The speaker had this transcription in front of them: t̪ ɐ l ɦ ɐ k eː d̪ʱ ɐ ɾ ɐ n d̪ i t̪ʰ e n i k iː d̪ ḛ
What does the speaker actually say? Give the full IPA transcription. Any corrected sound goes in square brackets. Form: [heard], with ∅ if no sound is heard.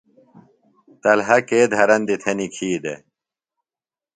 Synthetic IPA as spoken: t̪ ɐ l ɦ ɐ k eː d̪ʱ ɐ ɾ ɐ n d̪ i t̪ʰ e n i [kʰ] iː d̪ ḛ